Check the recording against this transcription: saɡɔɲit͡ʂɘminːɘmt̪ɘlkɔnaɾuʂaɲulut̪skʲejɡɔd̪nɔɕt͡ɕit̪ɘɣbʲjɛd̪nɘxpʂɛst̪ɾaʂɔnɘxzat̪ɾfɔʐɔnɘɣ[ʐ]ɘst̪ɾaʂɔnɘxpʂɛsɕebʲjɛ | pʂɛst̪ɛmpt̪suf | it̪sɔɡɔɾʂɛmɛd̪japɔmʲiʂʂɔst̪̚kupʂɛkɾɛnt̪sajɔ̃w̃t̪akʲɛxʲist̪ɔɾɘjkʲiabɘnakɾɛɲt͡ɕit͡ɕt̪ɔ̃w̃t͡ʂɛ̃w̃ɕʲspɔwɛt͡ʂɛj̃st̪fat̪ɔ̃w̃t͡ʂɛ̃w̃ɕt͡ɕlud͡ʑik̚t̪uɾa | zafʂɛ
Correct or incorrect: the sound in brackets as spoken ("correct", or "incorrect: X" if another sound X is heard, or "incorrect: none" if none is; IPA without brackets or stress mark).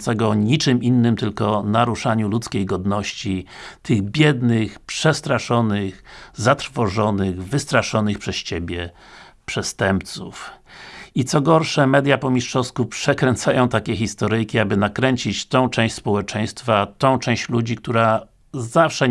incorrect: v